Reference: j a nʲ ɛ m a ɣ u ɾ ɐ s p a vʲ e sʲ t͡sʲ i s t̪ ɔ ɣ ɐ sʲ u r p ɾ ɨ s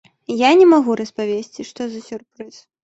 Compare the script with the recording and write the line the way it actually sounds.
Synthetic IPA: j a nʲ ɛ m a ɣ u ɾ ɐ s p a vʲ e sʲ t͡sʲ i ʂ t̪ ɔ z ɐ sʲ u r p ɾ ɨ s